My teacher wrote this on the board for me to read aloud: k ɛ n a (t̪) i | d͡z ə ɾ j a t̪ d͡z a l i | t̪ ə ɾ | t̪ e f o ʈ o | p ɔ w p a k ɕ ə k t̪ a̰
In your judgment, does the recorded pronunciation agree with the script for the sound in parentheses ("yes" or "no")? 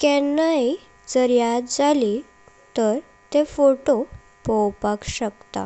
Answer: no